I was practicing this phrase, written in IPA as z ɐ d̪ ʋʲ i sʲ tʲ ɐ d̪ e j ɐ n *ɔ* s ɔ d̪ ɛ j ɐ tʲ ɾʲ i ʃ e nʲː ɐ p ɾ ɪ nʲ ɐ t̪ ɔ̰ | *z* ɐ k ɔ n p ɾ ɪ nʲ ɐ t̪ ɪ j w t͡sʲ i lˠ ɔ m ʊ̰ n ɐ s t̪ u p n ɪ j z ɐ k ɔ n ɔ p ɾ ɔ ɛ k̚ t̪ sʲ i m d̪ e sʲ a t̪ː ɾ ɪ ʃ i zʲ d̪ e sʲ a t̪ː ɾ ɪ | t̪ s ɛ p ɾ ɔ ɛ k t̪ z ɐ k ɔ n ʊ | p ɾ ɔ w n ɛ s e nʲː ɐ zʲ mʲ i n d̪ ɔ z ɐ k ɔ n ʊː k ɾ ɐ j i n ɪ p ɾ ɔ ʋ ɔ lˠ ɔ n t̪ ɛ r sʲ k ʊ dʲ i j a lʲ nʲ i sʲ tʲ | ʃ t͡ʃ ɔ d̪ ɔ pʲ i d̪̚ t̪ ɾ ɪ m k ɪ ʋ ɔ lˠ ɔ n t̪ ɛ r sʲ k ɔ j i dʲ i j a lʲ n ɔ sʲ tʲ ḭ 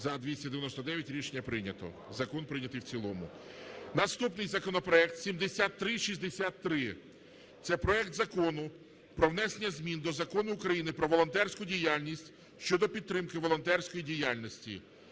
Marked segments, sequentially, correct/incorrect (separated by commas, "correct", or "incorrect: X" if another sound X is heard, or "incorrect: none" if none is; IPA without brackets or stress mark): correct, correct